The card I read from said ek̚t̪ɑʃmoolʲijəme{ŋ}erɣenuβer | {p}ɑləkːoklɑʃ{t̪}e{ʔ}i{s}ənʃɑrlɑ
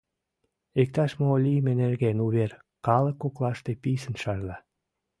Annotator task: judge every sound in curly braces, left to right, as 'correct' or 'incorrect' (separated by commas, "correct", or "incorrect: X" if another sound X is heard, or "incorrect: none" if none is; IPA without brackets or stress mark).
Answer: incorrect: n, incorrect: k, correct, incorrect: p, correct